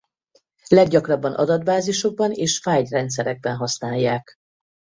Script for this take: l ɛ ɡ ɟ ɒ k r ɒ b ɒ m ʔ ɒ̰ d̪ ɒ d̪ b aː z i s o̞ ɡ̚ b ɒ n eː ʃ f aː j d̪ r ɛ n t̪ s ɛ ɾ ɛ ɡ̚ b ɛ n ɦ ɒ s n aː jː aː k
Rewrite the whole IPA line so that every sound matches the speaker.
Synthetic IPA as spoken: l ɛ ɡ ɟ ɒ k r ɒ bː ɒ n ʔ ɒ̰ d̪ ɒ d̪ b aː z i ʃ o̞ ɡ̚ b ɒ n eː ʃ f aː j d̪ r ɛ n t̪ s ɛ ɾ ɛ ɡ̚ b ɛ n ɦ ɒ s n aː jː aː k